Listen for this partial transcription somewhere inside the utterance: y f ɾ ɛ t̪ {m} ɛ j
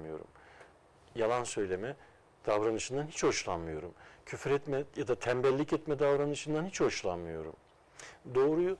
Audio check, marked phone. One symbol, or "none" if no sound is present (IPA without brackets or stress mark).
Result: m